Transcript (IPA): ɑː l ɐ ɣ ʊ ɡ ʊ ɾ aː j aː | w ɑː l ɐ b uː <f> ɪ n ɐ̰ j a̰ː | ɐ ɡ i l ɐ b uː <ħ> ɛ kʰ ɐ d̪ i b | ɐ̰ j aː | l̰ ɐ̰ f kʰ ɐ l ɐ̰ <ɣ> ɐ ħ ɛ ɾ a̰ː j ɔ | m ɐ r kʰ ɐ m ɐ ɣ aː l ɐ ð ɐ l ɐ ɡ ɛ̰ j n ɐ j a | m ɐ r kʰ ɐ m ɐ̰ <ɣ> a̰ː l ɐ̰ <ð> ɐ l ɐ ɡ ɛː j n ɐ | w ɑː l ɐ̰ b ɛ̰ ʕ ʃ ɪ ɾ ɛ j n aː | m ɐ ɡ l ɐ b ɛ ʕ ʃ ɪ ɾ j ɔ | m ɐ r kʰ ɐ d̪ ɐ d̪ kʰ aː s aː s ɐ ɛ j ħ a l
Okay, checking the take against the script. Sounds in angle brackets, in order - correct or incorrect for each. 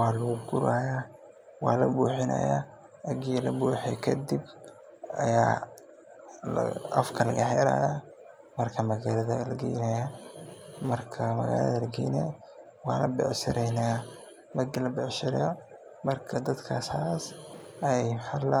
incorrect: ħ, correct, correct, correct, correct

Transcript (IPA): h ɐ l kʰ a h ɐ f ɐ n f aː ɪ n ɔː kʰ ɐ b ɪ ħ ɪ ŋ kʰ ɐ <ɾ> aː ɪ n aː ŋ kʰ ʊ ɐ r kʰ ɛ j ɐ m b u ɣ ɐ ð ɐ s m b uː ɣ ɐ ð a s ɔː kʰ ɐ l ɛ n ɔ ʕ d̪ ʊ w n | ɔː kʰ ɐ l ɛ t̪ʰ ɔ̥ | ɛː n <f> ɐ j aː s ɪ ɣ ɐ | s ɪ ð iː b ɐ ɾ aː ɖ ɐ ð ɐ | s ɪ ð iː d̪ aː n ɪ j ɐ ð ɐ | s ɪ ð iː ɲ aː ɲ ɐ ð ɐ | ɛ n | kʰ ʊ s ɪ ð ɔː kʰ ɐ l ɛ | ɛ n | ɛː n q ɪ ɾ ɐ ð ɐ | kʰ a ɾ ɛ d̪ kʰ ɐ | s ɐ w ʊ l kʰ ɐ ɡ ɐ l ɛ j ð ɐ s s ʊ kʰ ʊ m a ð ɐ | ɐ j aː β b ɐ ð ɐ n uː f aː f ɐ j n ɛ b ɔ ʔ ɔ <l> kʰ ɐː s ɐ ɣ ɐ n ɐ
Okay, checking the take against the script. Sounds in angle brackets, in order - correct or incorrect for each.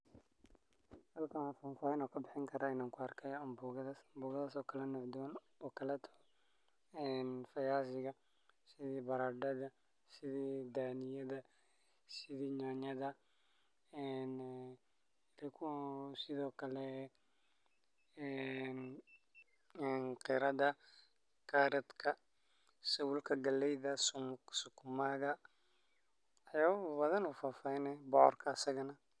correct, correct, incorrect: r

